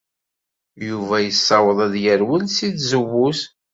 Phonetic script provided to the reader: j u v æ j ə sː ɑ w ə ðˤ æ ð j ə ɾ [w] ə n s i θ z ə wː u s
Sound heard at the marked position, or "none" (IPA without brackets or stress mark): w